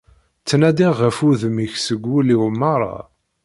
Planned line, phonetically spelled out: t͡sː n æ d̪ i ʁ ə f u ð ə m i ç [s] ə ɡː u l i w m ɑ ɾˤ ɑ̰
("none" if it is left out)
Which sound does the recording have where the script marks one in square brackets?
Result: s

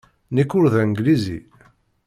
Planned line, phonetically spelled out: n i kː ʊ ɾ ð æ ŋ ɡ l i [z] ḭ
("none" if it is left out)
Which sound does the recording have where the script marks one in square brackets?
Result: z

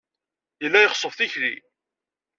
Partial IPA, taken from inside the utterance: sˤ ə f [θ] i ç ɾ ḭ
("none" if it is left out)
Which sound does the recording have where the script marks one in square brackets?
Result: θ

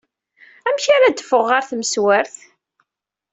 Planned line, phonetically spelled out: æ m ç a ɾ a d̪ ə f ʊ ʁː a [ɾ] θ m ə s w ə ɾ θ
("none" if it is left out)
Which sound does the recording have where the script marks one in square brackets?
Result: ɾ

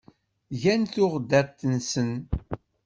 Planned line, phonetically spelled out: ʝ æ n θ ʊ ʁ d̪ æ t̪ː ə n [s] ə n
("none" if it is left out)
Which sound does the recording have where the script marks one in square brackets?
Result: s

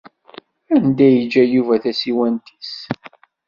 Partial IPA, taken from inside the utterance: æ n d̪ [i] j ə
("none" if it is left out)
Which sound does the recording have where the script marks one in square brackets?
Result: æ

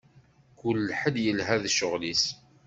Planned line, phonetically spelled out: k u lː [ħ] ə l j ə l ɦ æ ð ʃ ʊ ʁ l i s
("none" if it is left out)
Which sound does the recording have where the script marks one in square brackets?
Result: ħ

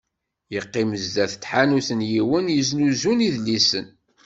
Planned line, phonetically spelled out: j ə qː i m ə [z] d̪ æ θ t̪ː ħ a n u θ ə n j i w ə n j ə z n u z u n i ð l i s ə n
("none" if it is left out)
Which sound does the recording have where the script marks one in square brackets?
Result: z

